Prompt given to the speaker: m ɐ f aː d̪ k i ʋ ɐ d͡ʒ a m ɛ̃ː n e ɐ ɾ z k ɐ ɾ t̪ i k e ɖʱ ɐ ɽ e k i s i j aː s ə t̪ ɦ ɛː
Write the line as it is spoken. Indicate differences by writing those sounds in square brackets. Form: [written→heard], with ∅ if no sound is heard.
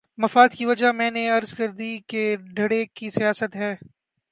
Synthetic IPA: m ɐ f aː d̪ k i ʋ ɐ d͡ʒ a m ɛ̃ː n e ɐ ɾ z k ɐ ɾ [t̪→d̪] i k e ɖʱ ɐ ɽ e k i s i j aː s ə t̪ ɦ ɛː